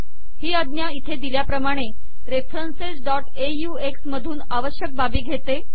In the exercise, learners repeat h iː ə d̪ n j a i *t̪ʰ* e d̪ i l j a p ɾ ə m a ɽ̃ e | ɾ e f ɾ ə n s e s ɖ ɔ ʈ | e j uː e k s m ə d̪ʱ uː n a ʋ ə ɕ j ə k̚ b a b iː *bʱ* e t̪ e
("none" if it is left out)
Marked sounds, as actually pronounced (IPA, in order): t̪ʰ, ɡʱ

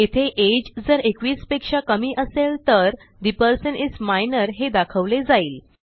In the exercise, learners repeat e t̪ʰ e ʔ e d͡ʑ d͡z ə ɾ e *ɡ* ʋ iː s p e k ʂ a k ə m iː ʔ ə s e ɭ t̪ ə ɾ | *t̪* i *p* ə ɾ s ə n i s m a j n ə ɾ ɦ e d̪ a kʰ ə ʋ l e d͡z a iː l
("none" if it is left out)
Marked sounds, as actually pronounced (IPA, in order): k, d̪, p

